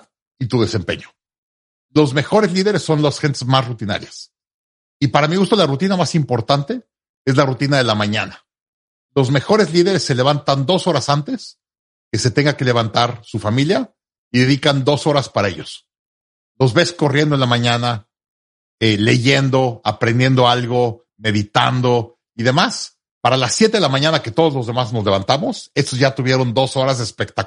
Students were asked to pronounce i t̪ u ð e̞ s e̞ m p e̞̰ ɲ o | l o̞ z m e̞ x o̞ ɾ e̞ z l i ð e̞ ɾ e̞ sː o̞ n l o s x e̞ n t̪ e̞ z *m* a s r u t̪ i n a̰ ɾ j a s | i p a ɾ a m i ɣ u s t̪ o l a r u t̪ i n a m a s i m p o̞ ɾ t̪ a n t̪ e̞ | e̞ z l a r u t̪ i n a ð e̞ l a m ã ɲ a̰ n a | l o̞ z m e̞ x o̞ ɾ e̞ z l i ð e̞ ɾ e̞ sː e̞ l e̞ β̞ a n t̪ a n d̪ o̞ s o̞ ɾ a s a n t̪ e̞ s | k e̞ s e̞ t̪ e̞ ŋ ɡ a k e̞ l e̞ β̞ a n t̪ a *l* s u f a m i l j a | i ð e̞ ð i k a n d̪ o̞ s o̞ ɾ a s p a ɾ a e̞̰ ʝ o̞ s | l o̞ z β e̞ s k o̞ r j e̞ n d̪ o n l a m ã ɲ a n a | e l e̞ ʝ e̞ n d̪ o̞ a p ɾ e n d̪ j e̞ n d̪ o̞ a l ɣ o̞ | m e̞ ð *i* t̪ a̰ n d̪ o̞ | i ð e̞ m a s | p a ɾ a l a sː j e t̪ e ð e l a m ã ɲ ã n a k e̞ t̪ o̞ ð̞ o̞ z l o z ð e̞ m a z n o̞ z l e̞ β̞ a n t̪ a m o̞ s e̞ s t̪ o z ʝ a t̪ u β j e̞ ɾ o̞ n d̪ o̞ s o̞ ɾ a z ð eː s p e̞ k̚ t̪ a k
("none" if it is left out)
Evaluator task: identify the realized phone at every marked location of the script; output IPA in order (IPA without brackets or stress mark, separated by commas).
m, ɾ, i